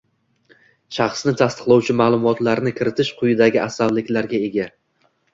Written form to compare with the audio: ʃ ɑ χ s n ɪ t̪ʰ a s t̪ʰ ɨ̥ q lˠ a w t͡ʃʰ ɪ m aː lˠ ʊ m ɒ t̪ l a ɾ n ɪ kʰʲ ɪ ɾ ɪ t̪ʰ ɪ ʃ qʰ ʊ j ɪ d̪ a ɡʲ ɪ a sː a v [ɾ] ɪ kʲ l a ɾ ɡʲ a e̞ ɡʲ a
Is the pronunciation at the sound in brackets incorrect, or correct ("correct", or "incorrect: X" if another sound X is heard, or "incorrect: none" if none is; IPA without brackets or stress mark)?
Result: incorrect: l